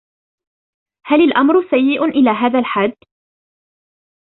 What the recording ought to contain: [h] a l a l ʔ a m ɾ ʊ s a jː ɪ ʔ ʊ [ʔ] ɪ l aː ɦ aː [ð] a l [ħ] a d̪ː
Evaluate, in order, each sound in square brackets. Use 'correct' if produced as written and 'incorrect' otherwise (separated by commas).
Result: correct, correct, correct, correct